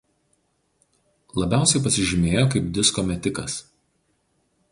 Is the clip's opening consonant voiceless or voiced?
voiced